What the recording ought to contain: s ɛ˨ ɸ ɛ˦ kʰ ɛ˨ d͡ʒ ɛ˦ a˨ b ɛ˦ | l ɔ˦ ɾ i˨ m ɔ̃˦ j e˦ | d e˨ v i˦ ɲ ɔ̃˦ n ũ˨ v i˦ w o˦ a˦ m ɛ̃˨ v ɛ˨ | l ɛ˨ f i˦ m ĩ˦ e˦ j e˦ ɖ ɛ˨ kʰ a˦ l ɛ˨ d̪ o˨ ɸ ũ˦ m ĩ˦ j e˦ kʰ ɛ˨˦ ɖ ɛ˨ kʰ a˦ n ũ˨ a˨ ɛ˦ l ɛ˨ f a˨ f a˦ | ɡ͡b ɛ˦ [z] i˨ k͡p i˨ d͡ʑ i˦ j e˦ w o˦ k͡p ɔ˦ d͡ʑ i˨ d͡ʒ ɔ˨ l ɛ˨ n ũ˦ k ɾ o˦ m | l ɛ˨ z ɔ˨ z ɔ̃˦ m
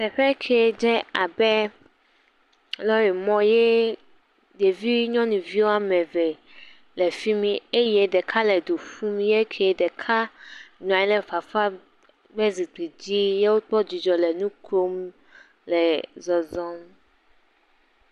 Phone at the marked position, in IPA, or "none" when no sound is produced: z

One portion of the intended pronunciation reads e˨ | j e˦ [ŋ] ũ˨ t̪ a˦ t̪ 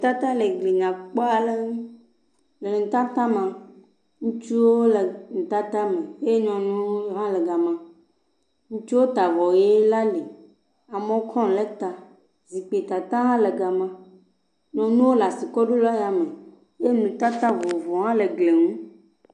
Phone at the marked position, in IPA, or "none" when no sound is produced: n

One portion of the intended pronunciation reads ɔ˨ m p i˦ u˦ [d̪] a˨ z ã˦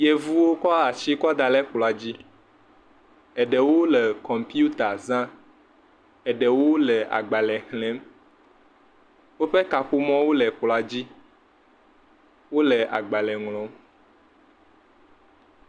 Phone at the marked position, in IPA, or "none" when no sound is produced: t̪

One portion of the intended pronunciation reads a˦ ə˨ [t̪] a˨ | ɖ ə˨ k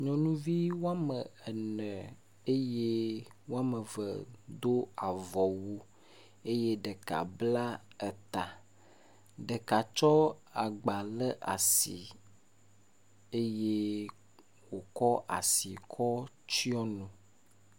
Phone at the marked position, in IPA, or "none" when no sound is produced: t̪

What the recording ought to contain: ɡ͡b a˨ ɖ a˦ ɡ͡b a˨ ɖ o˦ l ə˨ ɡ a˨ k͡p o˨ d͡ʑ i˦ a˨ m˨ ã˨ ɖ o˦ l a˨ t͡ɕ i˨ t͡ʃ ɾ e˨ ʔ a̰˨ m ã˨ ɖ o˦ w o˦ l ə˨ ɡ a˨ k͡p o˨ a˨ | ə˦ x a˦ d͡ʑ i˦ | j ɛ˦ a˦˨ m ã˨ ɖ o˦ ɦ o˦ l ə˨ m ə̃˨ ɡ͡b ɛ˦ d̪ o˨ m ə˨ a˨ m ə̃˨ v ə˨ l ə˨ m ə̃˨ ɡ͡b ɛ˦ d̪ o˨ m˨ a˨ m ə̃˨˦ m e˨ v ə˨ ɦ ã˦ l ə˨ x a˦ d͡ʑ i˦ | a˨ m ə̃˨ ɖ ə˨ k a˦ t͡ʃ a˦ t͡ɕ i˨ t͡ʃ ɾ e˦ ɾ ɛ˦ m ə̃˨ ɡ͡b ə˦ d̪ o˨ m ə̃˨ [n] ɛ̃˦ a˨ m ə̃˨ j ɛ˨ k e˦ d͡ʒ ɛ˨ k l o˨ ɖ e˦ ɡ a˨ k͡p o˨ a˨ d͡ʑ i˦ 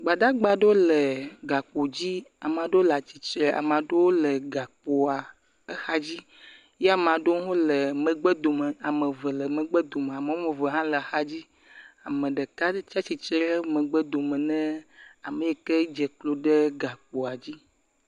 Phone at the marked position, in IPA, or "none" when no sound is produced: n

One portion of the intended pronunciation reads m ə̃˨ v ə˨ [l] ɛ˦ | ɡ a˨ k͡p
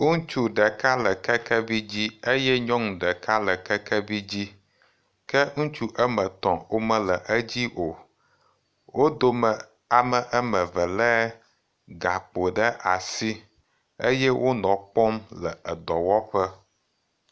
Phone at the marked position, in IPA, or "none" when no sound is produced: l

